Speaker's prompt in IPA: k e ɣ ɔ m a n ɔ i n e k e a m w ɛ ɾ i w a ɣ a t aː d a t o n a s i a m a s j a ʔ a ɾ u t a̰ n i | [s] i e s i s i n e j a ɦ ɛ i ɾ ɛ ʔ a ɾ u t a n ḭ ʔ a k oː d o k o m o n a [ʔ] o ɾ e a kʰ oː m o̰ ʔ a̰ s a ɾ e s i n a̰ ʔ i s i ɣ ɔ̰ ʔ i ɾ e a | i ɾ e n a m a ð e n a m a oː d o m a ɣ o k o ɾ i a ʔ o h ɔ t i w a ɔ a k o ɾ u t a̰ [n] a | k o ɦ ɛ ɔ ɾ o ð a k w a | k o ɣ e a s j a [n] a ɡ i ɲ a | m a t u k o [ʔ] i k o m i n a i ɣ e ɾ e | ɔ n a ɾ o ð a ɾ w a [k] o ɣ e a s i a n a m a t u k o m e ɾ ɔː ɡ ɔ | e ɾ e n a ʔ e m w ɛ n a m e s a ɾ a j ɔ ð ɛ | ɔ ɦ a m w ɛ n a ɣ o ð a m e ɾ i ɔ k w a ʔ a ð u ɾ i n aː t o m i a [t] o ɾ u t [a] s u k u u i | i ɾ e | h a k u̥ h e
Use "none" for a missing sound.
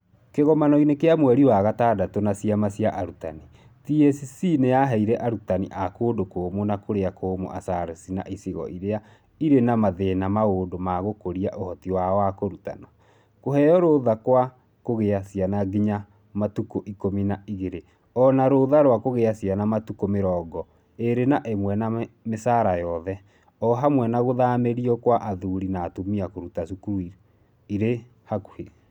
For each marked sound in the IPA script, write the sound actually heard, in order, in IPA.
t, k, n, n, ʔ, k, k, a

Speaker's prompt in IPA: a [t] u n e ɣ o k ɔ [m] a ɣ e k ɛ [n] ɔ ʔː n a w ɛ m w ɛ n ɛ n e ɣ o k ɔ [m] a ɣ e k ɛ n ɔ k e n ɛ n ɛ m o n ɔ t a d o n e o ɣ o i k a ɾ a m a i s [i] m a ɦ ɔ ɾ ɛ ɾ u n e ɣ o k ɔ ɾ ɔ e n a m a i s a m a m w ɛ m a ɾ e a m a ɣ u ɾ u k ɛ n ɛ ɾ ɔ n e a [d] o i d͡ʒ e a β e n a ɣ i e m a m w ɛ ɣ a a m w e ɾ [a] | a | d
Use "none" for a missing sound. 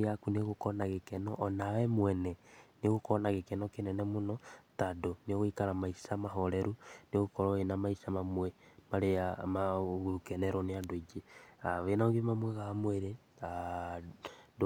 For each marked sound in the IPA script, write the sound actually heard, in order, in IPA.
k, n, n, n, a, d, e

